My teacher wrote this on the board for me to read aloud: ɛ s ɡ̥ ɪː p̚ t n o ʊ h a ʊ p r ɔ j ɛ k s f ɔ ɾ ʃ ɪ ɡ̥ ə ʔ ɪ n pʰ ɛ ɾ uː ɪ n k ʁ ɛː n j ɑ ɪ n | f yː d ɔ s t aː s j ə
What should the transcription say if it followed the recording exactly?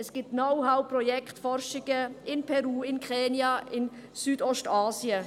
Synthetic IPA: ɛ s ɡ̥ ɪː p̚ t n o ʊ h a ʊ p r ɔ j ɛ k t f ɔ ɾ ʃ ɪ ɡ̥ ə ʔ ɪ n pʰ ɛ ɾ uː ɪ n k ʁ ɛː n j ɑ ɪ n | s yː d ɔ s t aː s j ə